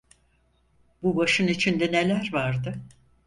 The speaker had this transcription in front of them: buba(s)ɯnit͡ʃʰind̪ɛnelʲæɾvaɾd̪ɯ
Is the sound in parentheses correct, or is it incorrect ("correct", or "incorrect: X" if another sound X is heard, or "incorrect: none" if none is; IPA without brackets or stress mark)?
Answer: incorrect: ʃ